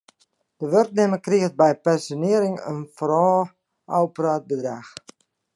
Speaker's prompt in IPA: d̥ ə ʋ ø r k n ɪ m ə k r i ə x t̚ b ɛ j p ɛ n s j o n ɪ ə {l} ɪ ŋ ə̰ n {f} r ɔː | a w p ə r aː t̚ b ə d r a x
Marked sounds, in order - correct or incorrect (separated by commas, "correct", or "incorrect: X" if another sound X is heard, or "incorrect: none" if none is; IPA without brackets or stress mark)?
incorrect: ɾ, correct